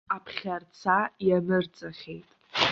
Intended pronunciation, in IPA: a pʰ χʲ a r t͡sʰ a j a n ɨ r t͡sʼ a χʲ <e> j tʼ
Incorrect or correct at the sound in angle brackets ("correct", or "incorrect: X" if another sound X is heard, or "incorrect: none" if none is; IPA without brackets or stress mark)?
correct